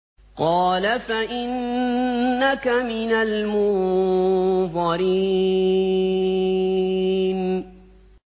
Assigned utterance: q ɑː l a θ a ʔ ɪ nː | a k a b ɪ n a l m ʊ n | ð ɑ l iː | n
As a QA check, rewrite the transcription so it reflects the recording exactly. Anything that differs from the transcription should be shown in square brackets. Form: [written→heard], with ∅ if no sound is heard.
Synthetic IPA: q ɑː l a [θ→f] a ʔ ɪ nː | a k a [b→m] ɪ n a l m ʊ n | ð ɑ [l→ɾ] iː | n